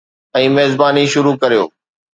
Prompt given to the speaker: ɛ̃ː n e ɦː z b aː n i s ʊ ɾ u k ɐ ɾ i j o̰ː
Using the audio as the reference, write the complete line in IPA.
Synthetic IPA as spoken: ɛ̃ː m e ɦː z b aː n i ʃ ʊ ɾ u k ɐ ɾ i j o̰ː